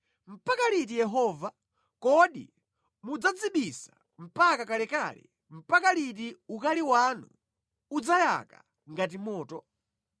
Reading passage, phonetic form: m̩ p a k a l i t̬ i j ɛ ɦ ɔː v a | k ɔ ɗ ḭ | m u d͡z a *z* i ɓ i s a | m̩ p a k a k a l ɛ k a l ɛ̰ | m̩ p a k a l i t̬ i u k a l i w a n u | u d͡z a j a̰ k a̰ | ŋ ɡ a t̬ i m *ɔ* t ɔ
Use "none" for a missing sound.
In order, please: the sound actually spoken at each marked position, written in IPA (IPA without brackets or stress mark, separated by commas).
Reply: d͡z, ɔː